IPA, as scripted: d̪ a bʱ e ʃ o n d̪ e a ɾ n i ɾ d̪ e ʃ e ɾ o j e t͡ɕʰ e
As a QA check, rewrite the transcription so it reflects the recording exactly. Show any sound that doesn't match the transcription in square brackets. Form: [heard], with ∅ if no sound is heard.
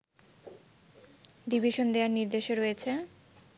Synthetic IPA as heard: d̪ [i] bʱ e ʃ o n d̪ e a ɾ n i ɾ d̪ e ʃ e ɾ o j e t͡ɕʰ e